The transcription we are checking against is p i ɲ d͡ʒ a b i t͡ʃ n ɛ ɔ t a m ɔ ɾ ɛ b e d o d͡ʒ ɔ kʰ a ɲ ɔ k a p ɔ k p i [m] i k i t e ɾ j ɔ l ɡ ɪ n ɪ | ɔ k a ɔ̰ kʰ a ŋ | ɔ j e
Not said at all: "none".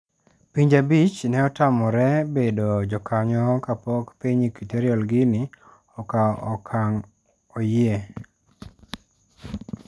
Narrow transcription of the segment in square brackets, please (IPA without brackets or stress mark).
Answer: ɲ